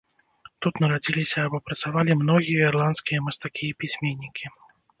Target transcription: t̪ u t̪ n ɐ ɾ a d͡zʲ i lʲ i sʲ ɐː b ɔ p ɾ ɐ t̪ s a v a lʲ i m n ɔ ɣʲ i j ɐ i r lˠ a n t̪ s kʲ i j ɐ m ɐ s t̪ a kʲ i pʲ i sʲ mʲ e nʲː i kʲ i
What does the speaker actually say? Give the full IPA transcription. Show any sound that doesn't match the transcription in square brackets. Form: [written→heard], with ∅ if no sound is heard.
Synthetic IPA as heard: t̪ u t̪ n ɐ ɾ a d͡zʲ i lʲ i sʲ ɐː b ɔ p ɾ ɐ t̪ s a v a lʲ i m n ɔ ɣʲ i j ɐ i r lˠ a n t̪ s kʲ i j ɐ m ɐ s t̪ a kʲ i pʲ i sʲ mʲ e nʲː i kʲ i